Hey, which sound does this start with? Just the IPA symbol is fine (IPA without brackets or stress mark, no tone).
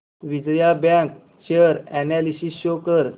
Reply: ʋ